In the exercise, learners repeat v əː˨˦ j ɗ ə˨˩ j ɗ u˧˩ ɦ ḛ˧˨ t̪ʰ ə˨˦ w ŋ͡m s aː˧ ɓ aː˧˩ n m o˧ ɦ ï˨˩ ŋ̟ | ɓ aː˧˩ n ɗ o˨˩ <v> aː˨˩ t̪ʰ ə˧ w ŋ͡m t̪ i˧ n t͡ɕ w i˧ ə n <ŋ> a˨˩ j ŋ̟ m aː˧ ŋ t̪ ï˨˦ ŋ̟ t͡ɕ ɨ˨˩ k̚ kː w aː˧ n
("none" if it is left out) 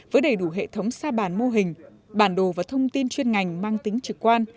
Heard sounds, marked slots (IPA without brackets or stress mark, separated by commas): v, ŋ